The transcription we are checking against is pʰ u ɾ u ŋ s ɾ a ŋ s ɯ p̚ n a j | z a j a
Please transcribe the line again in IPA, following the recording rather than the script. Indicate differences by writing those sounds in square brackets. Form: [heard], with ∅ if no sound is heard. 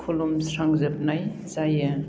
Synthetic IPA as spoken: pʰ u [l] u [m] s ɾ a ŋ [z] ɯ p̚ n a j | z a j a